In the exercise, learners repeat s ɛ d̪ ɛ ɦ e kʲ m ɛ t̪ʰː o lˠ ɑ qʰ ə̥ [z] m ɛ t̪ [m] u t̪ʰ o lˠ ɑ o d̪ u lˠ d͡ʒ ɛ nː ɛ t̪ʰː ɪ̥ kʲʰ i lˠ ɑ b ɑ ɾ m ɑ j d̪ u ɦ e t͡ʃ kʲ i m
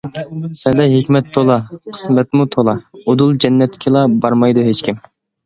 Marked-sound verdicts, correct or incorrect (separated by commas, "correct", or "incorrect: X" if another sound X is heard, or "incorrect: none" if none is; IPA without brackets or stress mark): incorrect: s, correct